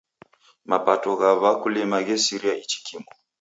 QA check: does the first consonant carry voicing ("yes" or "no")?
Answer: yes